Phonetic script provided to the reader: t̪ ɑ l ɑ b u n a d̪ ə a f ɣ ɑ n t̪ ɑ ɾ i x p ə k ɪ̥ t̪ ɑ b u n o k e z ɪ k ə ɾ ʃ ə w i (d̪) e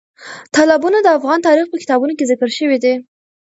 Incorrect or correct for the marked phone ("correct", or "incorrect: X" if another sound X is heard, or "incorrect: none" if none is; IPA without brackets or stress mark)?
correct